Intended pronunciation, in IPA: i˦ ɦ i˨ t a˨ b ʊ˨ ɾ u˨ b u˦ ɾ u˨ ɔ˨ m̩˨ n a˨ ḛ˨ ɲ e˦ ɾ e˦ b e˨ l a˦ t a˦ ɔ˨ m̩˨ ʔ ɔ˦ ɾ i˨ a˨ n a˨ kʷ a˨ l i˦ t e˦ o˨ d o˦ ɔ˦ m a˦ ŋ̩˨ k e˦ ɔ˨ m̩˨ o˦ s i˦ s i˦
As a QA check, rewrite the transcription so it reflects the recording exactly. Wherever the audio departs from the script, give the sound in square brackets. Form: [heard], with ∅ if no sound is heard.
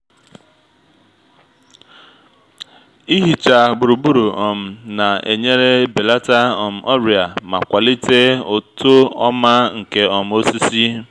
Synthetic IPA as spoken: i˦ ɦ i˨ [t͡ʃ] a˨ b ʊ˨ ɾ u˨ b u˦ ɾ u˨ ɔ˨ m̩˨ n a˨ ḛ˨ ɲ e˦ ɾ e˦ b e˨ l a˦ t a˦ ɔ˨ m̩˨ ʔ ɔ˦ ɾ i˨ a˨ [m] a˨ kʷ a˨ l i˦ t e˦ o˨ [t] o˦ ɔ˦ m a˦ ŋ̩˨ k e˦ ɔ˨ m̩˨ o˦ s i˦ s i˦